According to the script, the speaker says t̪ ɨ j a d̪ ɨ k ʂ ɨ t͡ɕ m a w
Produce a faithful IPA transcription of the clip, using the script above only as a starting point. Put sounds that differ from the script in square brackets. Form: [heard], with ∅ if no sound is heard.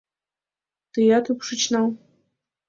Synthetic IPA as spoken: t̪ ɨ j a [t̪] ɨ [p] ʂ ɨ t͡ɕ [n] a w